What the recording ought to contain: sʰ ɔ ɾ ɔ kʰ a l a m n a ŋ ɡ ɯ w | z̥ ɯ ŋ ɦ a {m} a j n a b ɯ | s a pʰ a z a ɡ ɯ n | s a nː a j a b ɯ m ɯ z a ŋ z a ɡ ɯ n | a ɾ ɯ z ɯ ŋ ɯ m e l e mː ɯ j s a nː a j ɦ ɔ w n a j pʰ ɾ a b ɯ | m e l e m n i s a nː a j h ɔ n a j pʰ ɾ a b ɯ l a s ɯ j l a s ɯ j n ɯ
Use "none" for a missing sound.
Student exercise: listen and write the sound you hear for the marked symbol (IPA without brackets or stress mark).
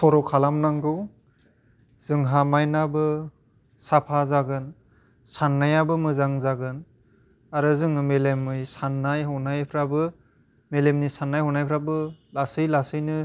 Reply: m